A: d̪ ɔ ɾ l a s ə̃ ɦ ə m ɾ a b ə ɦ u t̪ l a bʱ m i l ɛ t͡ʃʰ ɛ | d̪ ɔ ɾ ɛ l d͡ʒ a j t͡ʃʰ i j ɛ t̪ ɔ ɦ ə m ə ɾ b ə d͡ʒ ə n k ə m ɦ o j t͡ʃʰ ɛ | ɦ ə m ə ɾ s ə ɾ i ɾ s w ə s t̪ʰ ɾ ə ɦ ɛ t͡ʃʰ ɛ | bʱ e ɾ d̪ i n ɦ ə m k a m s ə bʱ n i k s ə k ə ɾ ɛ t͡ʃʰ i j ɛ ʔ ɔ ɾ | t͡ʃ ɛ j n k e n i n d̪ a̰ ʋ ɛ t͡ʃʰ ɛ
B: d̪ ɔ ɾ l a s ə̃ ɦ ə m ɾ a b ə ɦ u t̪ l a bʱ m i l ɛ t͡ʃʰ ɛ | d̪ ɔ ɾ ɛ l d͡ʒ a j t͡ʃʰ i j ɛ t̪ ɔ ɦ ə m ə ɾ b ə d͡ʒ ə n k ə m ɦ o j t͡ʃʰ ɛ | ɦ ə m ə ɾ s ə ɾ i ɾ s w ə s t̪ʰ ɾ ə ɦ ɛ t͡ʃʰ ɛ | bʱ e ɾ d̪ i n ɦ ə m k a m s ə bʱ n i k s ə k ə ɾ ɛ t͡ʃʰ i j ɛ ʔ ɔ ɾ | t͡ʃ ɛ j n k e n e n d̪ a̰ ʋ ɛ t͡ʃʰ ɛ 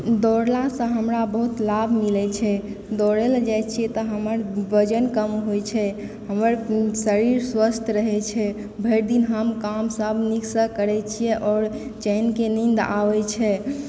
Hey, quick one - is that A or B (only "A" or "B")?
A